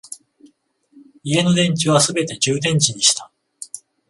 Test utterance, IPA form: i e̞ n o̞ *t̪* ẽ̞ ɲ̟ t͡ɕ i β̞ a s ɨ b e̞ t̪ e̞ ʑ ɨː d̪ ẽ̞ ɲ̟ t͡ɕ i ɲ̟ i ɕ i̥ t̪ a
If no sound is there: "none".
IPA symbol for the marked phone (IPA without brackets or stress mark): d̪